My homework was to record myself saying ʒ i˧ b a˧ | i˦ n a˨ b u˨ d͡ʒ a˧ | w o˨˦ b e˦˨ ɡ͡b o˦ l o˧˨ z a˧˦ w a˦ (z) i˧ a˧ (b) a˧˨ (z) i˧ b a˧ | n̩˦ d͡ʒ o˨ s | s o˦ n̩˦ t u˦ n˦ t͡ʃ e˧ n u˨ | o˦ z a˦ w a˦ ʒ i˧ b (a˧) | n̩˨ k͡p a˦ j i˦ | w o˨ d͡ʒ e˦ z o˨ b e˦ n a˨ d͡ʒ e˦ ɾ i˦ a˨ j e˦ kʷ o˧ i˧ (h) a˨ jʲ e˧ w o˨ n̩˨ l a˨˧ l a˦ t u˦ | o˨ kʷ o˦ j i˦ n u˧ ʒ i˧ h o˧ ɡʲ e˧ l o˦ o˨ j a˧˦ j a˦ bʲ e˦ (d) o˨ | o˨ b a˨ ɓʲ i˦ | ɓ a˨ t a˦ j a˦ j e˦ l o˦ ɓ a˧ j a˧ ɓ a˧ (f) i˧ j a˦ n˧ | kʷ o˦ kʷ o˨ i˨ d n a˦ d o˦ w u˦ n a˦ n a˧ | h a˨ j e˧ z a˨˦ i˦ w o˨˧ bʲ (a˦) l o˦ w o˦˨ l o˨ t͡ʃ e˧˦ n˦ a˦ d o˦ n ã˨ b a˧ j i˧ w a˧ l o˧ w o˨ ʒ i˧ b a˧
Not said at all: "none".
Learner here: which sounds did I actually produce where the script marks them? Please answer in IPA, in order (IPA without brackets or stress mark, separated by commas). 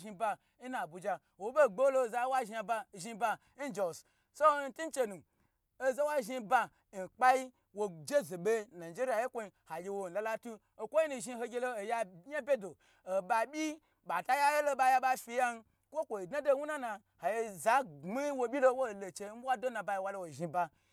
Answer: ʒ, b, ʒ, a˧, h, d, f, i˦